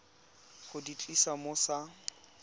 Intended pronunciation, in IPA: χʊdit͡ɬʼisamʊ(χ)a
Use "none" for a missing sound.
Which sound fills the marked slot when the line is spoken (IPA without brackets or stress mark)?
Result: s